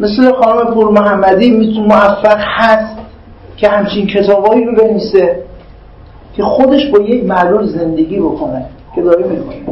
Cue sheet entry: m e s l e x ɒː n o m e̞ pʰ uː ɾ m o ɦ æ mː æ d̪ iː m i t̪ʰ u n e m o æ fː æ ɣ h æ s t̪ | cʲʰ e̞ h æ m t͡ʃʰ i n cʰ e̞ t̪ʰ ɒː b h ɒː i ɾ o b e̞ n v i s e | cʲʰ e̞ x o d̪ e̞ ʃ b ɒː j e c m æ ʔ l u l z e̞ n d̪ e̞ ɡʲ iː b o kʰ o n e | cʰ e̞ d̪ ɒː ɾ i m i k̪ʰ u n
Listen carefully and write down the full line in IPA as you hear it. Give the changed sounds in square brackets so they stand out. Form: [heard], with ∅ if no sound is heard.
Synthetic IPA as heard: m e s l e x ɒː n o m e̞ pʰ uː ɾ m o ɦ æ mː æ d̪ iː m i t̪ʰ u n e m o æ fː æ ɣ h æ s t̪ | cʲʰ e̞ h æ m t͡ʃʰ i n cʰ e̞ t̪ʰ ɒː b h ɒː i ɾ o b e̞ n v i s e | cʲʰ e̞ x o d̪ e̞ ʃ b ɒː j e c m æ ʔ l u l z e̞ n d̪ e̞ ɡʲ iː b o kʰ o n e | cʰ e̞ d̪ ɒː ɾ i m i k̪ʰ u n